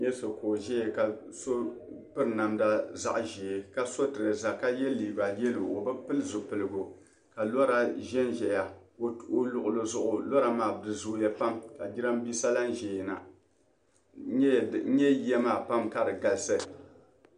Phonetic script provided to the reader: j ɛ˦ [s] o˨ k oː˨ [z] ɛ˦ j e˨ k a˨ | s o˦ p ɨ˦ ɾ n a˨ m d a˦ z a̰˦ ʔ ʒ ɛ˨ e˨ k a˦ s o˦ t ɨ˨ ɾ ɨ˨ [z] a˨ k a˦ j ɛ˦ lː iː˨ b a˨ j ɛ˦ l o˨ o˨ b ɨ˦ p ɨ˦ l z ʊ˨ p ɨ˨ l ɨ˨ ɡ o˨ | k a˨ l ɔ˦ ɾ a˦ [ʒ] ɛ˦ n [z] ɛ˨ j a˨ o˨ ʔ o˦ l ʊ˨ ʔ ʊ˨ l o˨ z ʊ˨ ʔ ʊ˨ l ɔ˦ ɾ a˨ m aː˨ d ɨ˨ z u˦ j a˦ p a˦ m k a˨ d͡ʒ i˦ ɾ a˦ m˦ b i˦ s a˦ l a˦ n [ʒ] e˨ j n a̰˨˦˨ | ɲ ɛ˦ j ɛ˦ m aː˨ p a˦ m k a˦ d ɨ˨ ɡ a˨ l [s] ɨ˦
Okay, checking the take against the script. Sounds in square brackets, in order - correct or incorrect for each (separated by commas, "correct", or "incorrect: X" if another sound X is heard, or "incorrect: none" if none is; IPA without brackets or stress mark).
correct, incorrect: ʒ, correct, correct, incorrect: ʒ, correct, correct